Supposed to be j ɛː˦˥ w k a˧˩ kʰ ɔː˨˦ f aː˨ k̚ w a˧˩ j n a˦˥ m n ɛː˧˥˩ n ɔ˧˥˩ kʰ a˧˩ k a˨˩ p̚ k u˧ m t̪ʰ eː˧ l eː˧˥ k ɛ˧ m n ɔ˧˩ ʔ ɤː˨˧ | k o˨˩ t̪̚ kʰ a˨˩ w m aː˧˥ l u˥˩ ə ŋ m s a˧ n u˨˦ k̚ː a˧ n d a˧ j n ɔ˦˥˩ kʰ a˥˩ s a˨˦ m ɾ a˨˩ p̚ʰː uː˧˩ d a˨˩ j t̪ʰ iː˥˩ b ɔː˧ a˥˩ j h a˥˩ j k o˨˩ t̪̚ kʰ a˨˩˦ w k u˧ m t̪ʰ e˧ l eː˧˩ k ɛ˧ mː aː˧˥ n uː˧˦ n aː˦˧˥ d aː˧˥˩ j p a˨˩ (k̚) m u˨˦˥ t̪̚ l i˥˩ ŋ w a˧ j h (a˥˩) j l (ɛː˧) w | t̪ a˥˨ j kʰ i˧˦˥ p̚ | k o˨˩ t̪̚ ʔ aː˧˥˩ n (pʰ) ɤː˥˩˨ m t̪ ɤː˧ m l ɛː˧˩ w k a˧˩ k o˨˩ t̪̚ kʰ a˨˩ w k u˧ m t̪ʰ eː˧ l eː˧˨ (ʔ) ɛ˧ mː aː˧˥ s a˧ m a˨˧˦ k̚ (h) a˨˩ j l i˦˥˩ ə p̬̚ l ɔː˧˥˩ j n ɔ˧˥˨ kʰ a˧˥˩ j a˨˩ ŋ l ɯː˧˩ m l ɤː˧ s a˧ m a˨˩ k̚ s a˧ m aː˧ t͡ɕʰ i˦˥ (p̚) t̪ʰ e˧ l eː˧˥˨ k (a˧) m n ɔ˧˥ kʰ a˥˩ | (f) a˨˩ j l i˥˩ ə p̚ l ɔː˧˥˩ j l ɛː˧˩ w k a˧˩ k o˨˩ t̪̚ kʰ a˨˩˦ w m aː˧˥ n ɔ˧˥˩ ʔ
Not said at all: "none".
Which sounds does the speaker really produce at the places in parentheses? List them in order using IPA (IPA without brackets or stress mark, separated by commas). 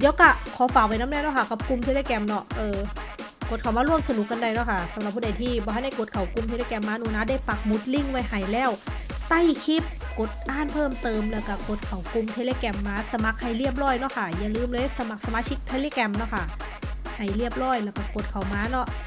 k̚, a˨˩, ɛː˧˥˩, pʰ, k, h, k̚, ɛ˧, h